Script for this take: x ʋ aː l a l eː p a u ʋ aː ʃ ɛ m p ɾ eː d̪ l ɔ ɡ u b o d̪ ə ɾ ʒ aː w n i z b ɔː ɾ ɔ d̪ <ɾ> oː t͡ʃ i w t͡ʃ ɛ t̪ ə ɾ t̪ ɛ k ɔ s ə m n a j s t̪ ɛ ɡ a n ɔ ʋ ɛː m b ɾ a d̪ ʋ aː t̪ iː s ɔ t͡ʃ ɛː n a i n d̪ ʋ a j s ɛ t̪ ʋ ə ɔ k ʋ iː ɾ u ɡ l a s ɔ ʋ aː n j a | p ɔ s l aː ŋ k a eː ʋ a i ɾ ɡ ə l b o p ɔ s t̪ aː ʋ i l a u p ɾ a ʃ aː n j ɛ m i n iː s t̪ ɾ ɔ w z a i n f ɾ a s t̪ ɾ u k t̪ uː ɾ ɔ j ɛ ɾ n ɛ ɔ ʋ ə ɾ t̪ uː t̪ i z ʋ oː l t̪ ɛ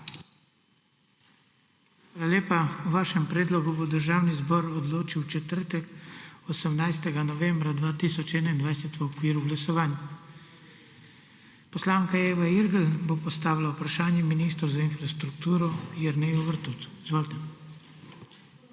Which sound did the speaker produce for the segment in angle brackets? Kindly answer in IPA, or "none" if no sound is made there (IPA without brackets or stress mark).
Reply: l